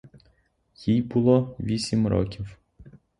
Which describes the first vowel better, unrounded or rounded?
unrounded